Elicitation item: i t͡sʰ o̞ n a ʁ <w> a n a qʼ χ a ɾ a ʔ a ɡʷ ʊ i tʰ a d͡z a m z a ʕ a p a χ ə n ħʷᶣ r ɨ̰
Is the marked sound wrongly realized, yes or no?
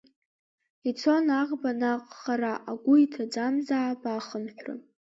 yes